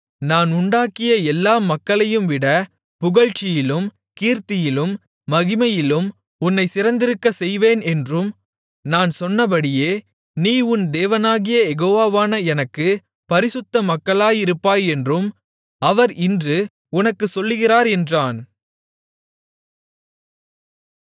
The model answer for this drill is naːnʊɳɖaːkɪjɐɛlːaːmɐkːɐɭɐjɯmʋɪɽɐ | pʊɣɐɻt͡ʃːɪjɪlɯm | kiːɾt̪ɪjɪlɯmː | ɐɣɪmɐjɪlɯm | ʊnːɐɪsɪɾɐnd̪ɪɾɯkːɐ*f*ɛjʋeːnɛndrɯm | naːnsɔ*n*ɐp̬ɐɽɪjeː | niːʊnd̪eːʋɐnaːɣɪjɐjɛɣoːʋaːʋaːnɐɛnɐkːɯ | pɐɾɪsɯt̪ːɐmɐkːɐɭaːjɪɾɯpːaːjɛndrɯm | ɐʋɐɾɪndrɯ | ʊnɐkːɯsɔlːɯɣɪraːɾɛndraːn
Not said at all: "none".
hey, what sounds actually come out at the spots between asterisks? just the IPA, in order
s, nː

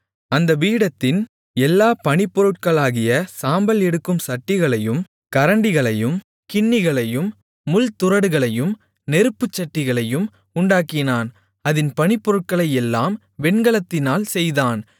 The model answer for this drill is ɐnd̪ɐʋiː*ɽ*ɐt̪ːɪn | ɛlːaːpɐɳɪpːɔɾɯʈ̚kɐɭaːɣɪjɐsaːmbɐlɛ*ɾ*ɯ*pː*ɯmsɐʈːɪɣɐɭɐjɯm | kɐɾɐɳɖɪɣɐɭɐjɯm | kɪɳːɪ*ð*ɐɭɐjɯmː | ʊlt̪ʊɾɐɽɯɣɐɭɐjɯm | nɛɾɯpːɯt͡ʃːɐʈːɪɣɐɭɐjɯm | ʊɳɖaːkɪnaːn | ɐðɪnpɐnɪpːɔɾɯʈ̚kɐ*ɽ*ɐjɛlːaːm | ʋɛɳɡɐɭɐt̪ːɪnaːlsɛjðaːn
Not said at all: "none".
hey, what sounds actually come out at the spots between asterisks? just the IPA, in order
ɽ, ɽ, kː, ɣ, ɭ

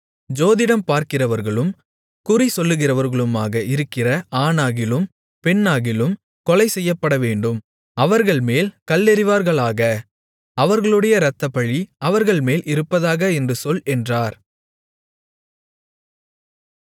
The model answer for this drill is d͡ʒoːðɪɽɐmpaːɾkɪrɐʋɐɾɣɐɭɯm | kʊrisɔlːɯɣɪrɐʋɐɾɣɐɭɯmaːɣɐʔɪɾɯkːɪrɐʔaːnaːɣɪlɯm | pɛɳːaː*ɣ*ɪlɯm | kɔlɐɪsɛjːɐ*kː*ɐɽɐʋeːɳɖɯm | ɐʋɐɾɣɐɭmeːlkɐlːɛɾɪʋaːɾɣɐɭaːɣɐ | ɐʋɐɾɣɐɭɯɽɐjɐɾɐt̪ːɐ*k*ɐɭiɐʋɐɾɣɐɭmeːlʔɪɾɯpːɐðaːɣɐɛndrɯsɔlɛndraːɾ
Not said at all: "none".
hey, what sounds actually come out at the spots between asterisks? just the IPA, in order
ɣ, pː, p

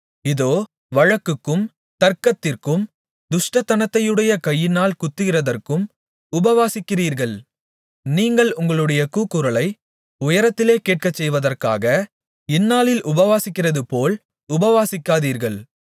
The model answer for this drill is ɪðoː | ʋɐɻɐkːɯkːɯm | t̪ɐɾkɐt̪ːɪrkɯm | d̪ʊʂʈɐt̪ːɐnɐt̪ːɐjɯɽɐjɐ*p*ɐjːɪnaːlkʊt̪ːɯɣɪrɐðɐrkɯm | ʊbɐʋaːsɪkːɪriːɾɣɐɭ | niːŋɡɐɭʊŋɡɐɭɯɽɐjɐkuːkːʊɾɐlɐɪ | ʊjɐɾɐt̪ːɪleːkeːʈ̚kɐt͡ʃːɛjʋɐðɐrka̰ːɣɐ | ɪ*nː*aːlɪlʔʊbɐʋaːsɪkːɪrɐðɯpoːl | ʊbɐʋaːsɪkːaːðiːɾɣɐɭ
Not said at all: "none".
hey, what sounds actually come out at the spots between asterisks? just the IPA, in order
k, nː

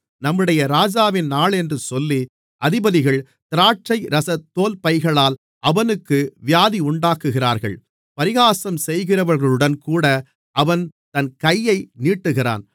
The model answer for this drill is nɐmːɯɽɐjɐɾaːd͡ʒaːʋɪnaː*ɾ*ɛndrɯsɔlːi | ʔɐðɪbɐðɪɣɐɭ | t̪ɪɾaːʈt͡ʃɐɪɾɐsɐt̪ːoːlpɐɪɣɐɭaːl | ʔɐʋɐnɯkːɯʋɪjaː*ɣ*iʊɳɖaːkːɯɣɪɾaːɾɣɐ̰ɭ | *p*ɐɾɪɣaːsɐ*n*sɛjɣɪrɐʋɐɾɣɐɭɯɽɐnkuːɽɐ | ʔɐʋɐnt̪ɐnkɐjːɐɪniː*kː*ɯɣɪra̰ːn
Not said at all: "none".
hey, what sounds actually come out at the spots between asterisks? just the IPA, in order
ɭ, ð, p, m, ʈː

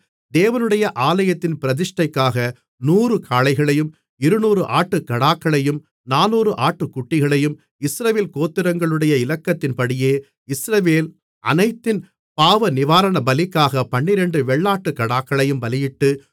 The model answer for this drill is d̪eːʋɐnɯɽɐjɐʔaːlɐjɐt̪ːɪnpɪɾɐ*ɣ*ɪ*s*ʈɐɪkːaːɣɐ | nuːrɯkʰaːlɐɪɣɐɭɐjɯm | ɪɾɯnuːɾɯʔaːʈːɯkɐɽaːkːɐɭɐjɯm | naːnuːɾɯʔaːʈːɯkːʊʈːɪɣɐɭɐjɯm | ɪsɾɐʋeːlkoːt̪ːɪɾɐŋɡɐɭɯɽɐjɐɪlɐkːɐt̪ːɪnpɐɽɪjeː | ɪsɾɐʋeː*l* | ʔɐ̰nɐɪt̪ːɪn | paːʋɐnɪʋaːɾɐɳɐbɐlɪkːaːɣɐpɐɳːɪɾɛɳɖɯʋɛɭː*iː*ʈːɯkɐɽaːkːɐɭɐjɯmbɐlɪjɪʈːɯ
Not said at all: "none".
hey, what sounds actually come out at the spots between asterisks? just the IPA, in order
ð, ʂ, l, aː

